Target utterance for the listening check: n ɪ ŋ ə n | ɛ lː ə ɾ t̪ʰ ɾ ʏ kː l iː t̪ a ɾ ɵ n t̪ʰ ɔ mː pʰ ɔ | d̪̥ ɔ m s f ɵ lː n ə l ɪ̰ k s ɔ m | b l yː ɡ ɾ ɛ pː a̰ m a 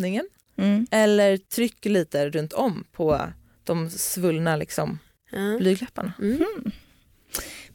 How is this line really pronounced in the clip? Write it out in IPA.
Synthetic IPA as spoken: n ɪ ŋ ə n | ɛ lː ə ɾ t̪ʰ ɾ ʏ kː l iː t̪ ə ɾ ɵ n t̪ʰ ɔ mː pʰ ɔ | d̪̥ ɔ m s v ɵ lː n a l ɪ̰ k s ɔ m | b l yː ɡ l ɛ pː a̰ ɳ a